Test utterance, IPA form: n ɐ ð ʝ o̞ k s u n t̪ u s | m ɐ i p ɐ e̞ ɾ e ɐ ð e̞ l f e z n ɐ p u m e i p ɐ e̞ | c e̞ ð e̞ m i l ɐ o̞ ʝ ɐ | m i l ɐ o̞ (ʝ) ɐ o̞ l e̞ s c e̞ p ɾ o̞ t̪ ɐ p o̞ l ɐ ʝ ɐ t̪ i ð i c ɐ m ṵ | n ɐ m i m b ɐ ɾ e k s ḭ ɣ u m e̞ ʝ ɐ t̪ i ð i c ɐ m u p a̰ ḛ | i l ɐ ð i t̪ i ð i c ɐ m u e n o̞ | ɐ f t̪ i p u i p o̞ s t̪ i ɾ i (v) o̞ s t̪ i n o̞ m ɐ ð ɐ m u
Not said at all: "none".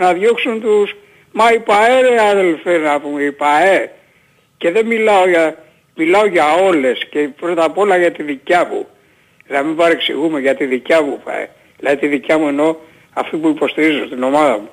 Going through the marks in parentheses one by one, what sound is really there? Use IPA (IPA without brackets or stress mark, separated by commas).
ʝ, z